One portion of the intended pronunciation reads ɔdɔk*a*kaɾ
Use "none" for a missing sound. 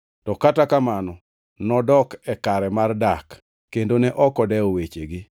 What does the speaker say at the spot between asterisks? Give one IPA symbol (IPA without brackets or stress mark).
ɛ